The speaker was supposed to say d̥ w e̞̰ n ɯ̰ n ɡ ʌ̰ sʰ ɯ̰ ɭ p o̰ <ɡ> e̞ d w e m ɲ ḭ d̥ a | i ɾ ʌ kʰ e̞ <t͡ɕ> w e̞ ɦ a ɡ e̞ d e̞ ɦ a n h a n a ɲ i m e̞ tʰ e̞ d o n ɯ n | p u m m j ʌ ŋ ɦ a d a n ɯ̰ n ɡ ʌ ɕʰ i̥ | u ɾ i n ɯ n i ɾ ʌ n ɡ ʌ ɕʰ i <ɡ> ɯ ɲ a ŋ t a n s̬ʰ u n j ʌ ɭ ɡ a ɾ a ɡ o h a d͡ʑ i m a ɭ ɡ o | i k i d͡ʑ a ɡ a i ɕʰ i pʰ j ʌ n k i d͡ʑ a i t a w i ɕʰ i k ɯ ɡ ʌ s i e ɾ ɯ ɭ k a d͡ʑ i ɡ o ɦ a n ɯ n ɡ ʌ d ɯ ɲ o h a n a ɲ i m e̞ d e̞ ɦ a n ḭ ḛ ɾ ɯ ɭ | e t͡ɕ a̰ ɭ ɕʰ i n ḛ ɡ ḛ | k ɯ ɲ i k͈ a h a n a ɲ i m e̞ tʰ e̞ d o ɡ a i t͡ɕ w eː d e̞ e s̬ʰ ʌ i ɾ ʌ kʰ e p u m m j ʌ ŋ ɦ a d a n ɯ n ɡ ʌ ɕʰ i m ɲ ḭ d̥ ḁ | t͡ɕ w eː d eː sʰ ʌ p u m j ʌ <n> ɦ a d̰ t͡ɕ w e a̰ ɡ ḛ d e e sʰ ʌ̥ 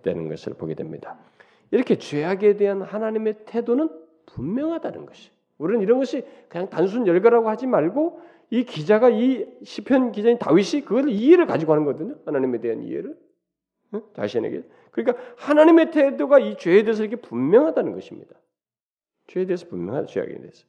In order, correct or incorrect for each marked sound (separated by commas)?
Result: correct, correct, incorrect, incorrect